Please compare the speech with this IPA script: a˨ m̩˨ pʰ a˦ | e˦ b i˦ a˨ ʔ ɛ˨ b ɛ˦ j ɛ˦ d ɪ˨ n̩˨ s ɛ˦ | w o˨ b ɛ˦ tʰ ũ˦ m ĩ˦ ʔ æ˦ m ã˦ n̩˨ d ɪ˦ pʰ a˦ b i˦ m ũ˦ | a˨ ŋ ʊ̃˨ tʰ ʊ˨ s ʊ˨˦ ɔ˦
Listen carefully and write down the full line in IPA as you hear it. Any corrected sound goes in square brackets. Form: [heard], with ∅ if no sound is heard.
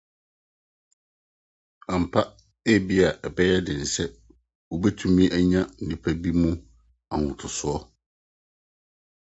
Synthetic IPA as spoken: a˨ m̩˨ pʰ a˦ | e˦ b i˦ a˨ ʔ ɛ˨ b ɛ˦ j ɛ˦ d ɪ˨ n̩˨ s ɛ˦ | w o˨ b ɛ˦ tʰ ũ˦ m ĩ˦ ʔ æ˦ [ɲ] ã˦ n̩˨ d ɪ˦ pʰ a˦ b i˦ m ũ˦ | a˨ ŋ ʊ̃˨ tʰ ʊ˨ s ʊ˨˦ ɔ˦